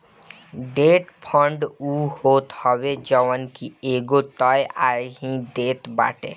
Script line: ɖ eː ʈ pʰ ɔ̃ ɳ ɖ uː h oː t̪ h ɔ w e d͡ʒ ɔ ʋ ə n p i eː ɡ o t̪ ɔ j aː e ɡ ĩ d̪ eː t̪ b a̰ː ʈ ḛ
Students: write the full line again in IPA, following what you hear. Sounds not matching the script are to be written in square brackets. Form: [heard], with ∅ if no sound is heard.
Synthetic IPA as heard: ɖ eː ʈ pʰ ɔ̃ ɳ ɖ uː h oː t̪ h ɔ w e d͡ʒ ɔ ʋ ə n [k] i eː ɡ o t̪ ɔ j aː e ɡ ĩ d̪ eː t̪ b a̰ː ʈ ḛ